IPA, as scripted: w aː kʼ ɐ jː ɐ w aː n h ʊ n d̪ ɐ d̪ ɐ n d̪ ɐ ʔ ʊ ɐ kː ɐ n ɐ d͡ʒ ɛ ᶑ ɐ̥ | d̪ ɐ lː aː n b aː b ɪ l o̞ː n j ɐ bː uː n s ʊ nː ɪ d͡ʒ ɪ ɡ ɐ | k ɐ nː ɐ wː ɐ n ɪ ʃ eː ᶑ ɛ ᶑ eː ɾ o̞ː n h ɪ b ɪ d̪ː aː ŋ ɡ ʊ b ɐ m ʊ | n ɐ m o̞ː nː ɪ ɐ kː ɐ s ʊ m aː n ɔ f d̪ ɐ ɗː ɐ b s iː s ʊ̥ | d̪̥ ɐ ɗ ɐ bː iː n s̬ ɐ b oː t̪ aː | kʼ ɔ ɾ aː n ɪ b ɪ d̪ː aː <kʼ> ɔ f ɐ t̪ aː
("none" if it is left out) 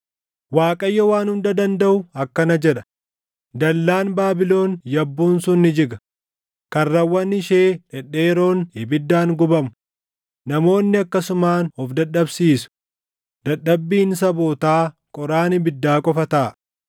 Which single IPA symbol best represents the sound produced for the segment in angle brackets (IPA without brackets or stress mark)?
kʼ